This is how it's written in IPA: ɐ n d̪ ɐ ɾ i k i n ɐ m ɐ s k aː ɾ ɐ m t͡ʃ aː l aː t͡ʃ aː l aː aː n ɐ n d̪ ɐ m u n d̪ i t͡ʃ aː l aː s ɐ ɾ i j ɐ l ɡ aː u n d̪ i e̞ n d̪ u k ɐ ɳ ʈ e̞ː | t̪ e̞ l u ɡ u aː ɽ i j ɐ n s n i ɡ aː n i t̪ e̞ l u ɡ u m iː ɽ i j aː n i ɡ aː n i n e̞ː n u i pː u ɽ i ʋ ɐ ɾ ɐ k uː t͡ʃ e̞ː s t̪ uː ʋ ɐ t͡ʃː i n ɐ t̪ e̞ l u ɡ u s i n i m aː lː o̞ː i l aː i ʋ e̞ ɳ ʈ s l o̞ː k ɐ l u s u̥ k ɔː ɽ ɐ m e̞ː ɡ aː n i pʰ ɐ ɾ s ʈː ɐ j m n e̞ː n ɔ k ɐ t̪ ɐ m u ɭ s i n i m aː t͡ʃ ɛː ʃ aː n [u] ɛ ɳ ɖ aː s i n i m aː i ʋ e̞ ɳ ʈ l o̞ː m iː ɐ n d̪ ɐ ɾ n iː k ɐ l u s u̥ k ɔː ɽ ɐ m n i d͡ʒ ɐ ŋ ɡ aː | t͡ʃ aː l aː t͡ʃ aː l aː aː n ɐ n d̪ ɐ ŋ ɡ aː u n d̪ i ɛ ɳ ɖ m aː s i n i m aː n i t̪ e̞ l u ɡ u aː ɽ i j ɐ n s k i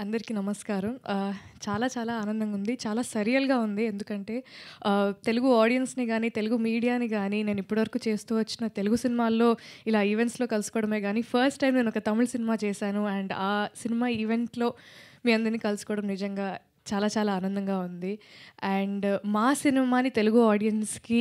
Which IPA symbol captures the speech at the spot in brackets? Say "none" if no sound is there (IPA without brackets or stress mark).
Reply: u